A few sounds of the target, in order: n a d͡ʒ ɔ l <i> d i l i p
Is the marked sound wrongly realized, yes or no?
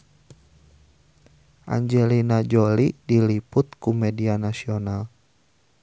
no